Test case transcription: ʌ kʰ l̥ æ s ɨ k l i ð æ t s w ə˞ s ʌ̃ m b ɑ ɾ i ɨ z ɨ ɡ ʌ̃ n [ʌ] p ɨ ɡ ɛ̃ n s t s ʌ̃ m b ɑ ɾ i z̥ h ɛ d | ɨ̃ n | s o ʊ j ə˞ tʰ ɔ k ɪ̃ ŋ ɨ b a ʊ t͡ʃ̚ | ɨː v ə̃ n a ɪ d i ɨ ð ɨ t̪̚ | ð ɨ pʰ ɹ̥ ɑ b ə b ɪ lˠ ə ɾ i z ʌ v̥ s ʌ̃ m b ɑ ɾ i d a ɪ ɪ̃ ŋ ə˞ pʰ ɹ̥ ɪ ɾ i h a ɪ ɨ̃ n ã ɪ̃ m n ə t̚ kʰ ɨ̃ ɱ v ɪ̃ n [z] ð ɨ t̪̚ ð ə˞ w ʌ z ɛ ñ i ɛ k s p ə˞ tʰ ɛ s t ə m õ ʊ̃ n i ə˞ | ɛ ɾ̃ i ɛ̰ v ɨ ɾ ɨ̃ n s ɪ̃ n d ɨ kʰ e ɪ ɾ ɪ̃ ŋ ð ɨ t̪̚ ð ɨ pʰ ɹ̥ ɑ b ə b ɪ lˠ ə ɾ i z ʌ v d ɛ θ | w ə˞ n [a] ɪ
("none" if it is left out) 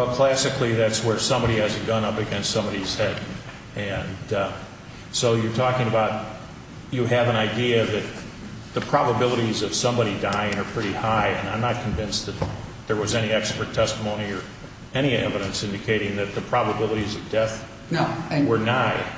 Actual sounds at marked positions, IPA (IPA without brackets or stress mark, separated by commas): ʌ, s, a